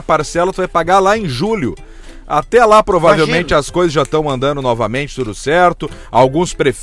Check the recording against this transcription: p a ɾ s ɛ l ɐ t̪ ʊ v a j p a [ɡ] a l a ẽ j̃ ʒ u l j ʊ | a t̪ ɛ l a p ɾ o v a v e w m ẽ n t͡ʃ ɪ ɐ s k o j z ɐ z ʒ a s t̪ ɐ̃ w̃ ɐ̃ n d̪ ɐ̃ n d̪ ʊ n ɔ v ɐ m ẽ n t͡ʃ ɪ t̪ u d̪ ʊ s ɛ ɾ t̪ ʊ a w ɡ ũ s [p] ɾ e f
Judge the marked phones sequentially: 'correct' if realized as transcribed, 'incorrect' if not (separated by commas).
correct, correct